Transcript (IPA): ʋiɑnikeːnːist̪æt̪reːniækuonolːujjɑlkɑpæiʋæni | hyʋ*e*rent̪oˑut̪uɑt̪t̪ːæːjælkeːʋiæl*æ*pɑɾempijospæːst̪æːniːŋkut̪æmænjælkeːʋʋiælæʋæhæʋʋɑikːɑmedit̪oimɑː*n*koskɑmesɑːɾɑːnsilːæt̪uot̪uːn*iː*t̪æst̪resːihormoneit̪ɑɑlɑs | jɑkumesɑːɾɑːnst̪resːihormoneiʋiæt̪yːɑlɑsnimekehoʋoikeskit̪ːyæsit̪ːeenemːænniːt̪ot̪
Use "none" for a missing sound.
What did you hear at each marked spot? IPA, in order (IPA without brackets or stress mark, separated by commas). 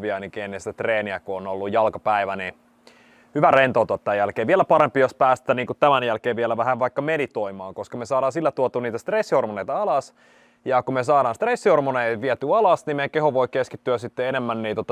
æ, æ, ŋ, iː